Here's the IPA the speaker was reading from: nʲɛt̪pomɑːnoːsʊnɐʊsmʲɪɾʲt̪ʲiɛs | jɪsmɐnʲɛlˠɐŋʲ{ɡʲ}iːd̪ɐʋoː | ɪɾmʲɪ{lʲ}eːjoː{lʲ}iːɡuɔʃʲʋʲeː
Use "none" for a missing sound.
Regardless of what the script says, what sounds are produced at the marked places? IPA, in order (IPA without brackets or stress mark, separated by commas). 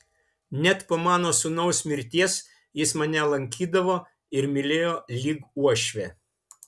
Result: kʲ, lʲ, lʲ